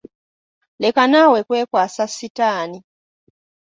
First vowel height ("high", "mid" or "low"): mid